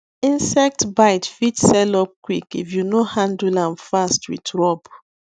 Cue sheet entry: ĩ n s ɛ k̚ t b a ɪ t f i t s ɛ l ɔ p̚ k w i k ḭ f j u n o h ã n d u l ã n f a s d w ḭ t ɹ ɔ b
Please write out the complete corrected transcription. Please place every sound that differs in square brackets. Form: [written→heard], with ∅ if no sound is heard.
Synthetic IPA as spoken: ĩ n s ɛ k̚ t b a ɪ t f i t s ɛ l ɔ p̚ k w i k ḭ f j u n o h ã n d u l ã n f a s [d→t] w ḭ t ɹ ɔ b